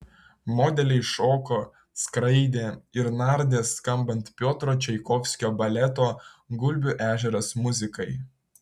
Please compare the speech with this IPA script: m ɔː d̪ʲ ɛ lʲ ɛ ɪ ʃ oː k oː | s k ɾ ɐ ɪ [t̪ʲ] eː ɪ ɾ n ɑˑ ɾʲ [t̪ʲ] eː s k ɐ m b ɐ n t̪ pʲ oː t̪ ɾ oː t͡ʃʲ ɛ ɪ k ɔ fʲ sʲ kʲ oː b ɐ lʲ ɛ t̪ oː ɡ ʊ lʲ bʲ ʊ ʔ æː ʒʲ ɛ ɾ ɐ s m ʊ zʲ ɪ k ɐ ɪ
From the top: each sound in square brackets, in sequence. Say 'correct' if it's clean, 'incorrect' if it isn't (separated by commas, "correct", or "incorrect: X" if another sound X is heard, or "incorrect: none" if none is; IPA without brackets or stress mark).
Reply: incorrect: d̪ʲ, incorrect: d̪ʲ